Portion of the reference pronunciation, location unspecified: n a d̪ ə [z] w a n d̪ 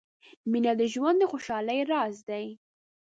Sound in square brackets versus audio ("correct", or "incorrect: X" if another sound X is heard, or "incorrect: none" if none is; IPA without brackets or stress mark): incorrect: ʒ